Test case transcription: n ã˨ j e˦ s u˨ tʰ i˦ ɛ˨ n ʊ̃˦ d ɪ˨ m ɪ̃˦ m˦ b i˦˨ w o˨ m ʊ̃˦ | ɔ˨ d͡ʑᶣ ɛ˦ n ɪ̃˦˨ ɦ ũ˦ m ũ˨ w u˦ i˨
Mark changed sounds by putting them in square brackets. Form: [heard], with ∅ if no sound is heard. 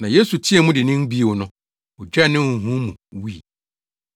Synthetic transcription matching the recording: n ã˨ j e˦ s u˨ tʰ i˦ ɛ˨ [m] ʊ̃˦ d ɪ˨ [n] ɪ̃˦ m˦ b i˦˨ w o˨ [n] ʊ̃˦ | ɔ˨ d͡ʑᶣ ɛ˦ n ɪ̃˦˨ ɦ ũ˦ m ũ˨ w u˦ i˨